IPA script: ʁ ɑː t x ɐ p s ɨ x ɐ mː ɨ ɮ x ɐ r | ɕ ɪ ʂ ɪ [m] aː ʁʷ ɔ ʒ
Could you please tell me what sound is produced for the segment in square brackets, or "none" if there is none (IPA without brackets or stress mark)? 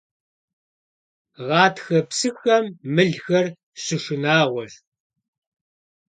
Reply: n